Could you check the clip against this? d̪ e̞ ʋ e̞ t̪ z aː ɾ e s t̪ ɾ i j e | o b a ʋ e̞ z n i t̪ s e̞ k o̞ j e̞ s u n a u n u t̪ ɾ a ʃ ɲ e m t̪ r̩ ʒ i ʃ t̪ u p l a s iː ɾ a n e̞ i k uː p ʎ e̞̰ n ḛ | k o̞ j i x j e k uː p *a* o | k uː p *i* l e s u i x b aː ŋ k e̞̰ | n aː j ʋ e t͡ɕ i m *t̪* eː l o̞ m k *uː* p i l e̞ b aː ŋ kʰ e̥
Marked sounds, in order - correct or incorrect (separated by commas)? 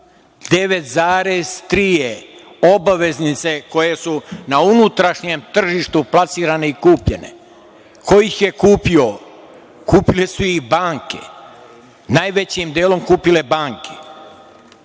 incorrect, correct, incorrect, correct